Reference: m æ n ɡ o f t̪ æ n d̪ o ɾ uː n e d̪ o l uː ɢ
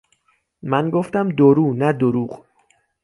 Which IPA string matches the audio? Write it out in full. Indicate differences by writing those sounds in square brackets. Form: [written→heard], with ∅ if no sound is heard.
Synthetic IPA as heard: m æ n ɡ o f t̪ æ [n→m] d̪ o ɾ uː n [e→æ] d̪ o [l→ɾ] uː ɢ